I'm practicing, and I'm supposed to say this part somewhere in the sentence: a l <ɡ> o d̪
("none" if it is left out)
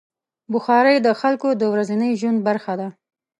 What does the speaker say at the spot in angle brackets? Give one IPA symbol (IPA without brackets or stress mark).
k